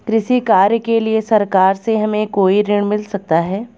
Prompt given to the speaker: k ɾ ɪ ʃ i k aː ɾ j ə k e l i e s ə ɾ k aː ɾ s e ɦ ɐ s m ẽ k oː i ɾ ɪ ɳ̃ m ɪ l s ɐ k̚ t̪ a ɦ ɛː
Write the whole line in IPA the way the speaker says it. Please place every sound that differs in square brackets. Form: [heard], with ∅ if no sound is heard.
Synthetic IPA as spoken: k ɾ ɪ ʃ i k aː ɾ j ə k e l i e s [ɐ] ɾ k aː ɾ s e ɦ ɐ [∅] m ẽ k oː i ɾ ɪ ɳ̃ m ɪ l s ɐ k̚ t̪ a ɦ ɛː